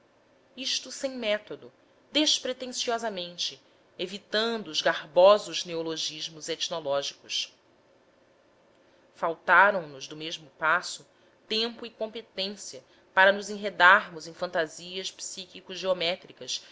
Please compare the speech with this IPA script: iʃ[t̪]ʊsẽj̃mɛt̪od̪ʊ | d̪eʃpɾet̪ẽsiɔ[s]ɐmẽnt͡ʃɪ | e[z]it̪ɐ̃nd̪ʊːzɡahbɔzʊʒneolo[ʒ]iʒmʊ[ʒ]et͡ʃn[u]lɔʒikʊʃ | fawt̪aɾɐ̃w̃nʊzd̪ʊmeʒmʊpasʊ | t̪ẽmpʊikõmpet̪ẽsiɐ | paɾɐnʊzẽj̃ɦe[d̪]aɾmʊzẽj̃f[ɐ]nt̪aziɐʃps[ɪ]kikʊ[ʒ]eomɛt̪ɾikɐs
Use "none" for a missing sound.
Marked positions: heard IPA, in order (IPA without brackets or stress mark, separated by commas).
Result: t̪, z, v, ʒ, z, o, d̪, ɐ̃, i, ʒ